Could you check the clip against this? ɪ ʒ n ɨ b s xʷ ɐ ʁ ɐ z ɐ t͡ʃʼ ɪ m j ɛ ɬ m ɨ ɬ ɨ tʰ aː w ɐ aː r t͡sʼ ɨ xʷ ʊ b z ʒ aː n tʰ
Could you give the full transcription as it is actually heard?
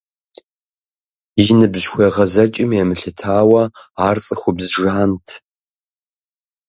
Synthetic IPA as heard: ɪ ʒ n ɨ b z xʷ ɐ ʁ ɐ z ɐ t͡ʃʼ ɪ m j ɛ m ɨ ɬ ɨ tʰ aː w ɐ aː r t͡sʼ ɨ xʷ ʊ b z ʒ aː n tʰ